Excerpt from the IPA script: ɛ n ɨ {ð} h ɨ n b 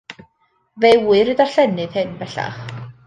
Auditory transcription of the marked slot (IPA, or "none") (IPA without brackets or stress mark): ð